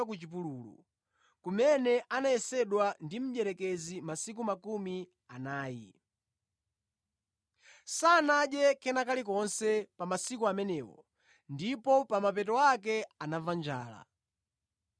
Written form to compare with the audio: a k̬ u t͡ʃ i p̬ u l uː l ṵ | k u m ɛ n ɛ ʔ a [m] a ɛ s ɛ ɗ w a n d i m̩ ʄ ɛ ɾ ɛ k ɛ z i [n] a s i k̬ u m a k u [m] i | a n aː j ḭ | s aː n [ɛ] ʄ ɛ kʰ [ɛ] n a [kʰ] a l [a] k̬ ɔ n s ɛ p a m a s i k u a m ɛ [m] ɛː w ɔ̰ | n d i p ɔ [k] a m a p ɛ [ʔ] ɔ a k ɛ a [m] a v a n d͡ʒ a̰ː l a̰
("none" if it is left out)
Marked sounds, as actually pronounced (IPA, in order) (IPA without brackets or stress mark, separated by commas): n, m, m, a, ɛ, k, i, n, p, t, n